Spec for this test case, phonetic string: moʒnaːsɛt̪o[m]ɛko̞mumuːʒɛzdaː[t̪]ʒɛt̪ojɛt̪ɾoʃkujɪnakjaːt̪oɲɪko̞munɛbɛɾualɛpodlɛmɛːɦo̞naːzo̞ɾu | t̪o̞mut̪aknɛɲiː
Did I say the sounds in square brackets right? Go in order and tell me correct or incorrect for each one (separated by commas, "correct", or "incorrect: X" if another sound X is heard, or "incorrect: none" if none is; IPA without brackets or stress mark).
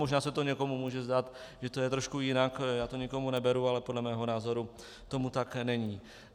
incorrect: ɲ, correct